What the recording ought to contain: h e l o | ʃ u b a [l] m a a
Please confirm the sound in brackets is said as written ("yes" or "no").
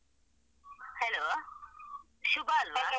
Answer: yes